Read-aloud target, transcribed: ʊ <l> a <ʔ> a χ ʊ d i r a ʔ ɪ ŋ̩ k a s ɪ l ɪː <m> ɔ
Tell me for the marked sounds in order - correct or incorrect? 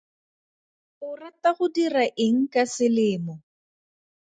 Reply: incorrect: r, incorrect: t, correct

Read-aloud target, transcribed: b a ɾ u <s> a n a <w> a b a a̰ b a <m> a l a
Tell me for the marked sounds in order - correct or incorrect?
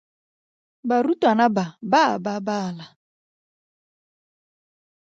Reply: incorrect: t, incorrect: b, incorrect: b

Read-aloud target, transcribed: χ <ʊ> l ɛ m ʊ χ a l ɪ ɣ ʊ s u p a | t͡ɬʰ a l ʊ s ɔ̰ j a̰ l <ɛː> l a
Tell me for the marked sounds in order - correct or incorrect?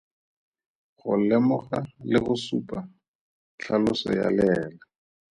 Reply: correct, correct

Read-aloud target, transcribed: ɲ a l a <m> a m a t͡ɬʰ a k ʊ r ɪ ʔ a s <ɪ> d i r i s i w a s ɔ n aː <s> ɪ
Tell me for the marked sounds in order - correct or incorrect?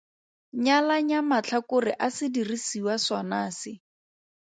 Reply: incorrect: ɲ, correct, correct

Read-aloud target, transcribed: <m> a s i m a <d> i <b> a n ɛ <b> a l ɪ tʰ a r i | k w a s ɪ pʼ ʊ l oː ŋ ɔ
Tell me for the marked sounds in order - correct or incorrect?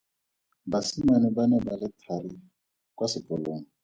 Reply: incorrect: b, incorrect: n, correct, correct

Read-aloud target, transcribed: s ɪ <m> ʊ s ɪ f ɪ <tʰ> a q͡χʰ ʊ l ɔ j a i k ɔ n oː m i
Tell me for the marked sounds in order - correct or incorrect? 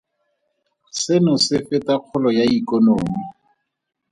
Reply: incorrect: n, incorrect: t

